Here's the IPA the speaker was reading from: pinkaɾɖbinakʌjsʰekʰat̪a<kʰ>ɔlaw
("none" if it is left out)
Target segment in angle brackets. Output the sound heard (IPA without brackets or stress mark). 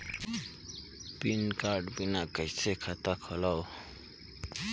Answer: kʰ